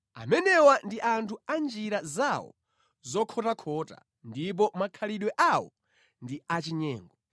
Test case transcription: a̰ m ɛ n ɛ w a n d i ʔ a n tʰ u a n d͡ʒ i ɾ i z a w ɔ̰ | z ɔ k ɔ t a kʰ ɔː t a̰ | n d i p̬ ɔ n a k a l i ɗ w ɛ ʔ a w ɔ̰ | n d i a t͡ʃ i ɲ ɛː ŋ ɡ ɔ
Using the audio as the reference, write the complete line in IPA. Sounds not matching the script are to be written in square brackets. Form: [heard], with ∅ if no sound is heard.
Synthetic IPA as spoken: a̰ m ɛ n ɛ w a n d i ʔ a n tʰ u a n d͡ʒ i ɾ [a] z a w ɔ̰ | z ɔ [kʰ] ɔ t a kʰ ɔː t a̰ | n d i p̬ ɔ [m] a [kʰ] a l i ɗ w ɛ ʔ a w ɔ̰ | n d i a t͡ʃ i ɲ ɛː ŋ ɡ ɔ